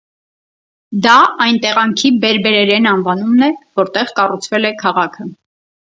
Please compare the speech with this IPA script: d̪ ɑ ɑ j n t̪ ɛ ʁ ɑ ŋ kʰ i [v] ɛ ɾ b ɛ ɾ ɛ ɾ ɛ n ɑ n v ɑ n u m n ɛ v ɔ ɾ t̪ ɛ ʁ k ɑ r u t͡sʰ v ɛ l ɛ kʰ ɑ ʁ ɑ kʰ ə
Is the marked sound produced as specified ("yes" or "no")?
no